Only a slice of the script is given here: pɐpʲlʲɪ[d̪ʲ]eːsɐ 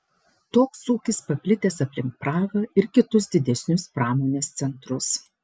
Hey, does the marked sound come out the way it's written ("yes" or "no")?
no